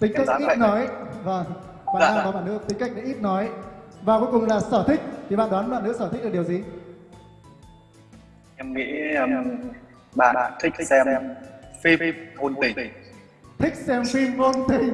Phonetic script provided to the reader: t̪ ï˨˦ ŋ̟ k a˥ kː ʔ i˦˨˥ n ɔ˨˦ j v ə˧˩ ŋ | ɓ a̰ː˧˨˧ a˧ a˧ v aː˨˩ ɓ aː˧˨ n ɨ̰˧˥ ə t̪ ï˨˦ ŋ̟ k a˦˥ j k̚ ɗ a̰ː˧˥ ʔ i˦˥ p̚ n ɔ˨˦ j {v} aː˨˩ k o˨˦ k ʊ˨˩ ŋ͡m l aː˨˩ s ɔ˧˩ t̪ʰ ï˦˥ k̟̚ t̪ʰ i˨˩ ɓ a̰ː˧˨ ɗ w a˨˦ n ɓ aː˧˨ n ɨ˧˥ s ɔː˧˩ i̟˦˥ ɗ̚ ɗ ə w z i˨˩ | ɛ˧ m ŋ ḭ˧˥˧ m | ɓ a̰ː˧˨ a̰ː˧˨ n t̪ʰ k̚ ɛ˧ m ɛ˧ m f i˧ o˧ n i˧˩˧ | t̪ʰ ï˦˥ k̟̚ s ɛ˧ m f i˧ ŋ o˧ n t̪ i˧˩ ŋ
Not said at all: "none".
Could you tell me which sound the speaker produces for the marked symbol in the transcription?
v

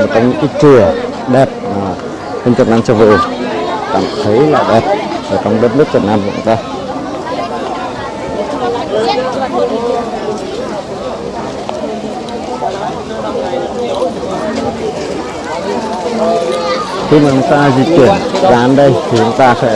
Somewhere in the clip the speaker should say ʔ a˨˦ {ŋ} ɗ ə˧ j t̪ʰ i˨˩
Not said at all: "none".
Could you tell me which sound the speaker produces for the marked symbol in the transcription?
n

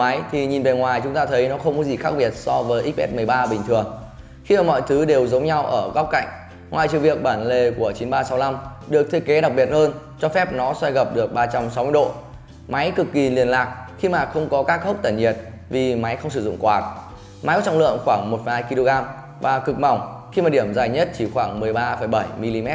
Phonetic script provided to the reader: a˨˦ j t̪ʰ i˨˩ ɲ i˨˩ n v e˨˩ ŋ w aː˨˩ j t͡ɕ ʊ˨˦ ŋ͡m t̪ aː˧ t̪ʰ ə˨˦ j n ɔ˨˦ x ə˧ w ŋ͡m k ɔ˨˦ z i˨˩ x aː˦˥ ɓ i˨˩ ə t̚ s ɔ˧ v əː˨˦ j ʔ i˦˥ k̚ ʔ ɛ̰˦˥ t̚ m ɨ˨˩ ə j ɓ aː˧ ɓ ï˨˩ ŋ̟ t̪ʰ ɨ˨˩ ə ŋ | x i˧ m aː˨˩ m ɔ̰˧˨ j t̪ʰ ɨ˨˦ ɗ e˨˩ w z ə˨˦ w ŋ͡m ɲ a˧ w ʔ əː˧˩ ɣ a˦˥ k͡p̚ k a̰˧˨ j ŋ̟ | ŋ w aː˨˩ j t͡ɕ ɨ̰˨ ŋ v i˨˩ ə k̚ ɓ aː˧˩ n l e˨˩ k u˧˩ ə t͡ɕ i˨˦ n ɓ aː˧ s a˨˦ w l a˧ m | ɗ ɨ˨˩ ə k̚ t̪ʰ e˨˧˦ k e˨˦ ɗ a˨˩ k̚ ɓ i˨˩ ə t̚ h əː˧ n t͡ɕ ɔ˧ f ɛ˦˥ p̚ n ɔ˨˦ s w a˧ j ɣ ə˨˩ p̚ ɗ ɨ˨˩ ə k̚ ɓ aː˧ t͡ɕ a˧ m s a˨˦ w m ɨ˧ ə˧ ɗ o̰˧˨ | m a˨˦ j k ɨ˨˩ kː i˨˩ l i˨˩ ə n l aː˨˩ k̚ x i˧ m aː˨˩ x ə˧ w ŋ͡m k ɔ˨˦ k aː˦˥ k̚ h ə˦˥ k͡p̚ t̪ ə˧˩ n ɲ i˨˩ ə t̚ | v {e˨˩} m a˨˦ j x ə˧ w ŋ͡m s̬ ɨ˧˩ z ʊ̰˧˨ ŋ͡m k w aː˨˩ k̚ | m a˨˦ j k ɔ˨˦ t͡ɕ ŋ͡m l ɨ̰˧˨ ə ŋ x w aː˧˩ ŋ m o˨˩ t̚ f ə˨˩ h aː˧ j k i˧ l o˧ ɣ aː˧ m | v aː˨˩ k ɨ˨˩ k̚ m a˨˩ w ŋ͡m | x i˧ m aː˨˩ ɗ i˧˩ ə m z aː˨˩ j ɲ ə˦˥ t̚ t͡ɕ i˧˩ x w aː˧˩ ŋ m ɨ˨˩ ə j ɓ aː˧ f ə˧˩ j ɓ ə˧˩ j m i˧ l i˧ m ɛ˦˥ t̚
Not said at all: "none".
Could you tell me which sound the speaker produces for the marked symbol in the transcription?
i˨˩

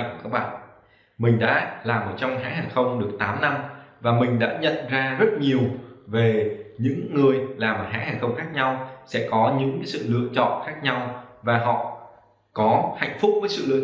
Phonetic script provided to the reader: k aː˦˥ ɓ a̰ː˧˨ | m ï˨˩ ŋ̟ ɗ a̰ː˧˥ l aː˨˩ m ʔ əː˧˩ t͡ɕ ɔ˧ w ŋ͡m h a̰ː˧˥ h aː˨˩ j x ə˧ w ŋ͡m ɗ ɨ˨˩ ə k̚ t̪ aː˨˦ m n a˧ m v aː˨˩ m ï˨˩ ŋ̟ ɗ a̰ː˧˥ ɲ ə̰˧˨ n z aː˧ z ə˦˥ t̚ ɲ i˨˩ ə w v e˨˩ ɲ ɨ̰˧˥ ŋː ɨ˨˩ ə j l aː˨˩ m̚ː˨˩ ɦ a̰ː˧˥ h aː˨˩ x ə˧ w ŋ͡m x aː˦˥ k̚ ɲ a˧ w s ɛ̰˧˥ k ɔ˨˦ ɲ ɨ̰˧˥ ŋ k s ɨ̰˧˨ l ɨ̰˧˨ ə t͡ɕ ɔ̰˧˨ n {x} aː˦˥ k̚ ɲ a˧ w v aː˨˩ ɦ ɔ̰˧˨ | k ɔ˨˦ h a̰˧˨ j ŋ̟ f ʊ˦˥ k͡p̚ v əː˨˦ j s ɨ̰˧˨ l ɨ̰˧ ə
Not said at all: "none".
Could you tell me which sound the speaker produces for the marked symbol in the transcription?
x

